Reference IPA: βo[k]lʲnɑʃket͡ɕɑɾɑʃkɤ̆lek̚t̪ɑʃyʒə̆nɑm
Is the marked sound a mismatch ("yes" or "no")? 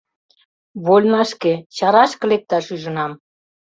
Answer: yes